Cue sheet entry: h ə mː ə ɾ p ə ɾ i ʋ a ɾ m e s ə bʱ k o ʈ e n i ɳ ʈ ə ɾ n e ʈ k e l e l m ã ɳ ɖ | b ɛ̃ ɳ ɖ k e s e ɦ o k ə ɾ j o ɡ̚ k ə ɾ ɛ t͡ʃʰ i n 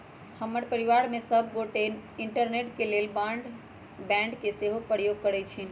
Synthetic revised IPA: h ə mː ə ɾ p ə ɾ i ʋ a ɾ m e s ə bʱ ɡ o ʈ e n i ɳ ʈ ə ɾ n e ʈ k e l e l b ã ɳ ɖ | b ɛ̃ ɳ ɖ k e s e ɦ o p ə ɾ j o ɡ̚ k ə ɾ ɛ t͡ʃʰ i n